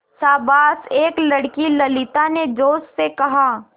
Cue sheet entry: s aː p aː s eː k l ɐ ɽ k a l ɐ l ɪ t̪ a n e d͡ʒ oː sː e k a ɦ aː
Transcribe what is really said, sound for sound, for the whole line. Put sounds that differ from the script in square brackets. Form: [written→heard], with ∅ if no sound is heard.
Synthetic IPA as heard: s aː [p→b] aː s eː k l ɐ ɽ k [a→i] l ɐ l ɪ t̪ a n e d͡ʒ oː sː e k [a→ɐ] ɦ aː

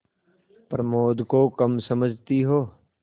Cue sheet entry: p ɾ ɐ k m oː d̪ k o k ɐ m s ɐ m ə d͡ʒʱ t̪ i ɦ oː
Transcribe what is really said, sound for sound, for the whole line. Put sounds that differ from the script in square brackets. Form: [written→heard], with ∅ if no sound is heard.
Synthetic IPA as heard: p ɾ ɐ [k→∅] m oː d̪ k o k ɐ m s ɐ m ə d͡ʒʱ t̪ i ɦ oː

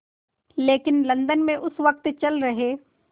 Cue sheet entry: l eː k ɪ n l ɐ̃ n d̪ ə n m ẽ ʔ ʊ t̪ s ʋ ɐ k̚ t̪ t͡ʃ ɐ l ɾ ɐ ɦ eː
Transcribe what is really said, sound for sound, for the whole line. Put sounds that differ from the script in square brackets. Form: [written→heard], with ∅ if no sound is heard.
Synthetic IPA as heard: l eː k ɪ n l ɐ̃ n d̪ ə n m ẽ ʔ ʊ [t̪→∅] s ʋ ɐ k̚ t̪ t͡ʃ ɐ l ɾ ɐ ɦ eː

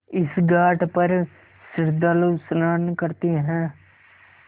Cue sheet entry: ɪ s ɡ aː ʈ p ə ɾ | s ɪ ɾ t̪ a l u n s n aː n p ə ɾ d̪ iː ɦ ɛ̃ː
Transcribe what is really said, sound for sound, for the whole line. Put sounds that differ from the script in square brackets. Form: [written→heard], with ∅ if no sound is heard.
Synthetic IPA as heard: ɪ s ɡ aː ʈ p ə ɾ | s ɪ ɾ [t̪→d̪] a l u [n→∅] s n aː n [p→k] ə ɾ [d̪→t̪] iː ɦ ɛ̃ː

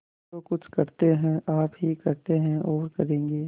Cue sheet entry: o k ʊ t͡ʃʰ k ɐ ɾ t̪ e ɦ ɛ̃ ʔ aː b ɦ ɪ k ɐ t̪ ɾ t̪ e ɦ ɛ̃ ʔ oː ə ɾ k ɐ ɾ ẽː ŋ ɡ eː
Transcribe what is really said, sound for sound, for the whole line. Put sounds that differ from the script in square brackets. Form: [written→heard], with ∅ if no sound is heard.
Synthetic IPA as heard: o k ʊ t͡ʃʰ k ɐ ɾ t̪ e ɦ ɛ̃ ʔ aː [b→p] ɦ [ɪ→i] k ɐ [t̪→∅] ɾ t̪ e ɦ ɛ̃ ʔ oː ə ɾ k ɐ ɾ ẽː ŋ ɡ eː

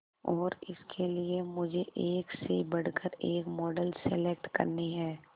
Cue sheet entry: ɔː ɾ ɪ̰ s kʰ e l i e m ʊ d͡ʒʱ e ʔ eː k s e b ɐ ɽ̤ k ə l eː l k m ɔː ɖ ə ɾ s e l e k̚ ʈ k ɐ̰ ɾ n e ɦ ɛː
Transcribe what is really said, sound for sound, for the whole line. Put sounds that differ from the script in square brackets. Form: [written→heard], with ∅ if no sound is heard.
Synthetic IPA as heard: ɔː ɾ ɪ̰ s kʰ e l i e m ʊ d͡ʒʱ e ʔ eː k s e b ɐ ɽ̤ k ə [l→ɾ] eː [l→∅] k m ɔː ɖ ə [ɾ→l] s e l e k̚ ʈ k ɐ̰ ɾ n e ɦ ɛː

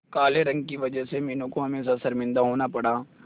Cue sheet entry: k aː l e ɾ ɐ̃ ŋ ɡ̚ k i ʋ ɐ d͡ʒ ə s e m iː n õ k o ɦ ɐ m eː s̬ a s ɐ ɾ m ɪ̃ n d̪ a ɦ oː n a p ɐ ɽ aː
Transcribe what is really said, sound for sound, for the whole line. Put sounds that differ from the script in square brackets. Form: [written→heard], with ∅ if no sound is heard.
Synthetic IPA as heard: k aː l e ɾ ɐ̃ ŋ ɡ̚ k i ʋ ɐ d͡ʒ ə s e m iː n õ k o ɦ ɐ m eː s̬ a s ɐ ɾ m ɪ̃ n d̪ a ɦ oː n a p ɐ ɽ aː

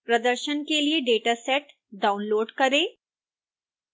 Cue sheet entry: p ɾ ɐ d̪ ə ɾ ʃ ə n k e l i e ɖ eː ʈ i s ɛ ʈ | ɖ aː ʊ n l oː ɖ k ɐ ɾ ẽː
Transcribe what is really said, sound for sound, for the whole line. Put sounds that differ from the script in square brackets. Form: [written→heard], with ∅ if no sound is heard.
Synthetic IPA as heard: p ɾ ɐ d̪ ə ɾ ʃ ə n k e l i e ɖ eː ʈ [i→a] s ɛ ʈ | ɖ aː ʊ n l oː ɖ k ɐ ɾ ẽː

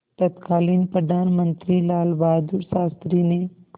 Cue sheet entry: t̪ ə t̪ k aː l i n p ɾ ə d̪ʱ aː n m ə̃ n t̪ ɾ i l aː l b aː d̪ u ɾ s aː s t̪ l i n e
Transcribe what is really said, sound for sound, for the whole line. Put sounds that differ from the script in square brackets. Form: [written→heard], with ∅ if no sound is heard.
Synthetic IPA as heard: t̪ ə t̪ k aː l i n p ɾ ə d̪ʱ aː n m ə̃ n t̪ ɾ i l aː l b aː d̪ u ɾ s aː s t̪ [l→ɾ] i n e

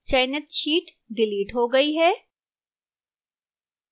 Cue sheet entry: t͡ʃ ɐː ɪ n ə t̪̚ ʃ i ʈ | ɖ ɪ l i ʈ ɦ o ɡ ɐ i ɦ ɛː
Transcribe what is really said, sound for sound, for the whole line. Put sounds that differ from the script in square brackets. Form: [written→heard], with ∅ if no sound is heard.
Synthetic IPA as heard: t͡ʃ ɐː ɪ n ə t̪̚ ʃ [i→iː] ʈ | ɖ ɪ l [i→iː] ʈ ɦ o ɡ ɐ i ɦ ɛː

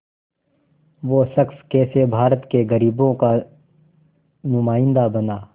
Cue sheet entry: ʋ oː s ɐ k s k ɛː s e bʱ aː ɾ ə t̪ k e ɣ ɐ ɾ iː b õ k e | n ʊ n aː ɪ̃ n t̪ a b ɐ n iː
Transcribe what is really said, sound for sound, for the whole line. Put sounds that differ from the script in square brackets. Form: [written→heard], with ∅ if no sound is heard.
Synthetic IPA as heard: ʋ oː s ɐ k s k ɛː s e bʱ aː ɾ ə t̪ k e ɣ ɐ ɾ iː b õ k [e→a] | n ʊ [n→m] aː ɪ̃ n [t̪→d̪] a b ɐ n [iː→aː]

